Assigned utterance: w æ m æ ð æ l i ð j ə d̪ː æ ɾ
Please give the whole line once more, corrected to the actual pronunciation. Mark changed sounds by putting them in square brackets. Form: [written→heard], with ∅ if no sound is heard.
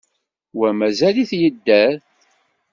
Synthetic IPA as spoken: w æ m æ [ð→z] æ l i [ð→θ] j ə d̪ː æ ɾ